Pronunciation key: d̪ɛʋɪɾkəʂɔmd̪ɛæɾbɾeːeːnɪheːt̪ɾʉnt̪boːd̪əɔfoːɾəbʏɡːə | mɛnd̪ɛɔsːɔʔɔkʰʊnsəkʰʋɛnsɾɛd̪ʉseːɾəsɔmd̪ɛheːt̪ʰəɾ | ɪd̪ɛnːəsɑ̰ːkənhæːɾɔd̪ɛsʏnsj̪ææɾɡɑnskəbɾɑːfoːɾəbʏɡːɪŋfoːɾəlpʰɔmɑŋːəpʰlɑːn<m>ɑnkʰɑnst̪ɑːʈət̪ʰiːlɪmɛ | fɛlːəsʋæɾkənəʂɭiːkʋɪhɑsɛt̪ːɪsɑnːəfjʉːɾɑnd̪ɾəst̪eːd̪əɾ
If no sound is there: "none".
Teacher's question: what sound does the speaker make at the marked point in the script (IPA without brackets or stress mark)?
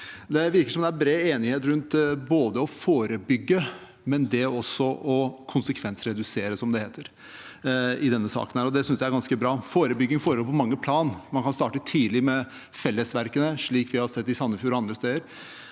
m